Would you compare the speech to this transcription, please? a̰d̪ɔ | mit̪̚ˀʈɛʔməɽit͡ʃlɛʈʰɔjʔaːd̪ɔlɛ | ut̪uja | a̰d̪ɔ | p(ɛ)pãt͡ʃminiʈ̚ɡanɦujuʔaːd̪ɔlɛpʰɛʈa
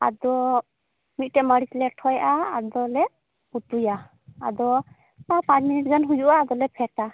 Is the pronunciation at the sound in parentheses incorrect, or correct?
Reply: incorrect